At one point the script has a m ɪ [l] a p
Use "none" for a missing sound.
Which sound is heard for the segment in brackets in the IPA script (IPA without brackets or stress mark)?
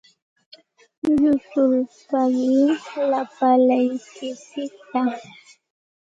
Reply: l